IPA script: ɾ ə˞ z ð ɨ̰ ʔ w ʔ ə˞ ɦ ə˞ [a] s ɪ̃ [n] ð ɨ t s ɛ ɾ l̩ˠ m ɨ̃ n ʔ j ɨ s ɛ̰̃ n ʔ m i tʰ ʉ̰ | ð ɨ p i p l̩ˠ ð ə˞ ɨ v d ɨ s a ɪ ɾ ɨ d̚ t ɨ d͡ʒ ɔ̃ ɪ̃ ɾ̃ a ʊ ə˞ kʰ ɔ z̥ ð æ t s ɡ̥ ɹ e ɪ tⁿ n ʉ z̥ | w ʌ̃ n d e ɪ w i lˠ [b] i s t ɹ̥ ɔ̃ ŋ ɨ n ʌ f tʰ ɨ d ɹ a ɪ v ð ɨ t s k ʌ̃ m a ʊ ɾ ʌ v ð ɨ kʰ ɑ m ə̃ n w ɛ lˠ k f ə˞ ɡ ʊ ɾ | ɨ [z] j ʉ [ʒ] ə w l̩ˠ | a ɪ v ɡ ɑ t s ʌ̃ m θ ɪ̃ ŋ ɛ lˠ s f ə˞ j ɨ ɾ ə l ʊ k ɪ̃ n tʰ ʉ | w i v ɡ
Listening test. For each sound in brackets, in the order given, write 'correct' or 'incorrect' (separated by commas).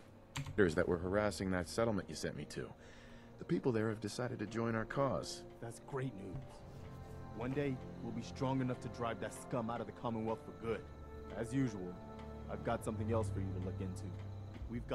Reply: incorrect, incorrect, correct, correct, correct